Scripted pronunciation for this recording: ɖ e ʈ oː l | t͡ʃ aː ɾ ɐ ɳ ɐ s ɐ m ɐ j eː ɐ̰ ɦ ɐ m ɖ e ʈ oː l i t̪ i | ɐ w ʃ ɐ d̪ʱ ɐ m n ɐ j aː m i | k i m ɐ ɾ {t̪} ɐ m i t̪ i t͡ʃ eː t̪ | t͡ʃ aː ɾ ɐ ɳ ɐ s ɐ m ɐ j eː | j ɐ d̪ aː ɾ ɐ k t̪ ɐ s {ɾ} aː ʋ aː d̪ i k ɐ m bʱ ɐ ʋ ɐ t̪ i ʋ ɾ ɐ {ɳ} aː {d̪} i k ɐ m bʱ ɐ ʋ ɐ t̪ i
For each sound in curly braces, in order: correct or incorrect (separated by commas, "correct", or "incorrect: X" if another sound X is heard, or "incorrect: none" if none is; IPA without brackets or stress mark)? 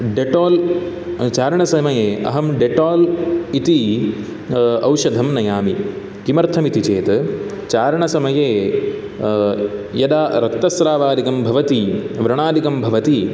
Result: incorrect: t̪ʰ, correct, correct, correct